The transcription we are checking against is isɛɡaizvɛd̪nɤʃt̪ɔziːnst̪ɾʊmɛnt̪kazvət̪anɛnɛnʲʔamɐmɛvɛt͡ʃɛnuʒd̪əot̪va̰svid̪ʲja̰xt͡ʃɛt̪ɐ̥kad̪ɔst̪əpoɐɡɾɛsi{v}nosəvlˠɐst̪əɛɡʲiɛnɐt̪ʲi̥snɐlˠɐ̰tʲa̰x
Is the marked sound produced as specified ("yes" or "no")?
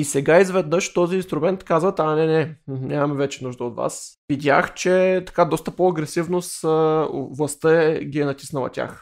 yes